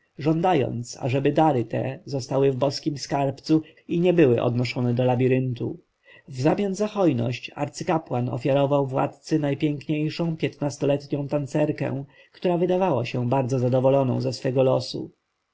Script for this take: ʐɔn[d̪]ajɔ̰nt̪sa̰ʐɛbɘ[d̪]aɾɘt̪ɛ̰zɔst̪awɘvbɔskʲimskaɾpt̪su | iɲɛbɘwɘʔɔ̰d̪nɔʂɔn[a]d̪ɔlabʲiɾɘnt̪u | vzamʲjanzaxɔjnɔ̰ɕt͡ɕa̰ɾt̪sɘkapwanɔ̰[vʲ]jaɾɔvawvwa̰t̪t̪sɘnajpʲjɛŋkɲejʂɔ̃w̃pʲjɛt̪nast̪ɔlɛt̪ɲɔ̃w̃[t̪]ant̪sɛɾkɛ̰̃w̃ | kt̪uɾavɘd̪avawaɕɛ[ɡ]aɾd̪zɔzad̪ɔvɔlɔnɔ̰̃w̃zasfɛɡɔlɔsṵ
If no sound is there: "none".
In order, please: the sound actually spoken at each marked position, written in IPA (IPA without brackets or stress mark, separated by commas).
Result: d̪, d̪, ɛ, fʲ, t̪, b